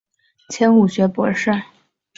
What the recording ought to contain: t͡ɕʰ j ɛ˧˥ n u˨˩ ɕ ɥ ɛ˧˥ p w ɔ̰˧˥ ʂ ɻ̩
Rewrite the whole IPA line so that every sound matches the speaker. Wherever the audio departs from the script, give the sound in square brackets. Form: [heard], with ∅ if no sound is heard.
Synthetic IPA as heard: t͡ɕʰ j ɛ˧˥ n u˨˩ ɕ ɥ ɛ˧˥ p w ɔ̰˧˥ ʂ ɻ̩